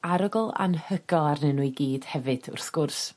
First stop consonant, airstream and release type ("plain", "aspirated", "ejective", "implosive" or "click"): plain